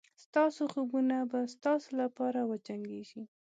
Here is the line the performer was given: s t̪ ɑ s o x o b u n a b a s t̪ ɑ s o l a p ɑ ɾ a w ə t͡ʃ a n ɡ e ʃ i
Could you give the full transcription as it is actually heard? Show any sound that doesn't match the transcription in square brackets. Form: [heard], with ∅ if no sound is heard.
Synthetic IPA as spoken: s t̪ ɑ s o x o b u n a b a s t̪ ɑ s o l a p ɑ ɾ a w ə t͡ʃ a [ŋ] ɡ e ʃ i